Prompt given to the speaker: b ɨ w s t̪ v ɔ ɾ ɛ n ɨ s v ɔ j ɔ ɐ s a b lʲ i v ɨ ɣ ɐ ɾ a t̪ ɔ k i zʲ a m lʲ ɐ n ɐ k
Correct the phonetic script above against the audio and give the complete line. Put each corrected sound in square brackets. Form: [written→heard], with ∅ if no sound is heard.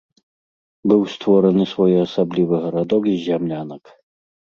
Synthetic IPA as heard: b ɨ w s t̪ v ɔ ɾ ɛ n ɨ s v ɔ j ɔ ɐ s a b lʲ i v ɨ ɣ ɐ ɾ a [t̪→d̪] ɔ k i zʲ a m lʲ [ɐ→a] n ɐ k